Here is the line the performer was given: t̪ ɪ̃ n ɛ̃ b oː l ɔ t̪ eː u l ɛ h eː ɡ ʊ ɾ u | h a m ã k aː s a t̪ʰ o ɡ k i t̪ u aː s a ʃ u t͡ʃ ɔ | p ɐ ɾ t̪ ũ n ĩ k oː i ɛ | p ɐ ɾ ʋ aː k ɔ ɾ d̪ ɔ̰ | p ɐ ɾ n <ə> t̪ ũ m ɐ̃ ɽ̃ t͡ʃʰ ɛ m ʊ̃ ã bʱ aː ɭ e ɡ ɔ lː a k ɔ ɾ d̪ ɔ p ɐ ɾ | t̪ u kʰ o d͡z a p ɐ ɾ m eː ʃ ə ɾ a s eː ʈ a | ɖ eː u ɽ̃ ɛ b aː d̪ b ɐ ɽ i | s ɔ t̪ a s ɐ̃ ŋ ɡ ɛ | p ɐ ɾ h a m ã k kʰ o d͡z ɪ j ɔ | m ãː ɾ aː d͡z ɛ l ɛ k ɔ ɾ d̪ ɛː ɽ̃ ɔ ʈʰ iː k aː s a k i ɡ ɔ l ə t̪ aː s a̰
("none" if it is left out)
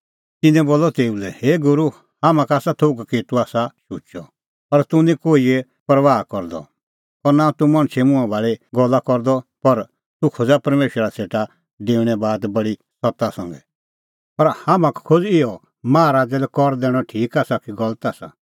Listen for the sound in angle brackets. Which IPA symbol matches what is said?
a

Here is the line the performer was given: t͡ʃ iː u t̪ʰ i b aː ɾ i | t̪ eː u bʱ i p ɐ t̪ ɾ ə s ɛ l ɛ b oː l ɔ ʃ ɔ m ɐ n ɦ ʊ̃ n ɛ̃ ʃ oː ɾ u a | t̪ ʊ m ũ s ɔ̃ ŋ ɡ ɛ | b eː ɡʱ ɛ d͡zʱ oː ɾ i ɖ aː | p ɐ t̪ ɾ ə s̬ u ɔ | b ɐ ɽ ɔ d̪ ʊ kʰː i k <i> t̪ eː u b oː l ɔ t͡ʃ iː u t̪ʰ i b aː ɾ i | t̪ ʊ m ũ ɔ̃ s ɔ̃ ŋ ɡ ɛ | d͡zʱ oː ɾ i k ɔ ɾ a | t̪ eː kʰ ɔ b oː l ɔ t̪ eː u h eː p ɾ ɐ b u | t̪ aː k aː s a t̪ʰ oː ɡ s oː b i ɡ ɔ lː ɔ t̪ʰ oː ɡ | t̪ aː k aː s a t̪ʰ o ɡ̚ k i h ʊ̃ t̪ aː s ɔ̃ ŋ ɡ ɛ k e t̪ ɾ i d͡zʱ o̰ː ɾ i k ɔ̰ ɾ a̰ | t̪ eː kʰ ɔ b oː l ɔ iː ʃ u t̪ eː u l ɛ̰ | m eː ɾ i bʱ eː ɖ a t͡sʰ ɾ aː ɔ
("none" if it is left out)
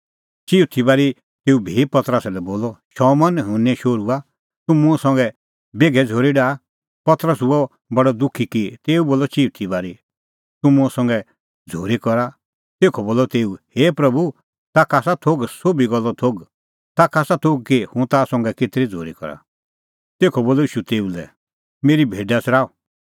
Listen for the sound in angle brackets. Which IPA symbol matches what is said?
i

